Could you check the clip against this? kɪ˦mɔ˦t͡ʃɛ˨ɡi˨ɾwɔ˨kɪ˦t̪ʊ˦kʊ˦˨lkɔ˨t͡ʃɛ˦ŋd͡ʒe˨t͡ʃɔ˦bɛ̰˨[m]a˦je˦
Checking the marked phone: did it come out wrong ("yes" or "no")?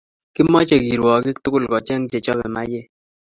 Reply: no